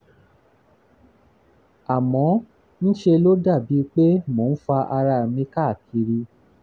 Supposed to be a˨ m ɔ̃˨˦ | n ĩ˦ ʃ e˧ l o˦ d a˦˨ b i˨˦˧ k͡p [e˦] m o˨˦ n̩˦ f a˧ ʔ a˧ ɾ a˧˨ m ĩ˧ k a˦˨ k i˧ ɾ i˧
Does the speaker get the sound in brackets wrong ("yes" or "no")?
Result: no